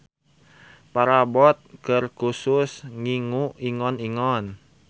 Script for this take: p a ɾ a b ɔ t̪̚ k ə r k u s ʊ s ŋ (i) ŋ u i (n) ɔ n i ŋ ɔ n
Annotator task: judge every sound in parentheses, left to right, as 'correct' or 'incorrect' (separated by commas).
correct, incorrect